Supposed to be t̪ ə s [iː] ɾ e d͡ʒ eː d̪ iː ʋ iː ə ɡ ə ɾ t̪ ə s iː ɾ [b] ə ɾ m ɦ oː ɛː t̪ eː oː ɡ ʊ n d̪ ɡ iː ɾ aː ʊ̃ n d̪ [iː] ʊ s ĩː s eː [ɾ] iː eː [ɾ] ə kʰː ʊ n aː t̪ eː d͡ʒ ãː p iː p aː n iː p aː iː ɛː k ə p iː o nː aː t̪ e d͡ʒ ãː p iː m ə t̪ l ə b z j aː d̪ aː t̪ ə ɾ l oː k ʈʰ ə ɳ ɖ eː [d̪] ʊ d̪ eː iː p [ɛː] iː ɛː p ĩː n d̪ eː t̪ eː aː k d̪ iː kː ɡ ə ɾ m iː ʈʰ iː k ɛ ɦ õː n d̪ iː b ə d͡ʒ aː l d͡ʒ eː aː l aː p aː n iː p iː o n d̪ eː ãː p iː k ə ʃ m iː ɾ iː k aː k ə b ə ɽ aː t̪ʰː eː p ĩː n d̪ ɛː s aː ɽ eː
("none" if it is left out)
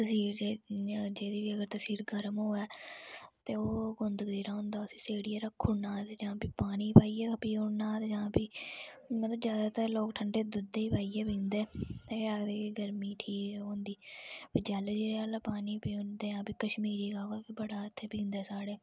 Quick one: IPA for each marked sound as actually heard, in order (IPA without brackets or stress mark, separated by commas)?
iː, ɡ, aː, ɽ, ɾ, d̪, aː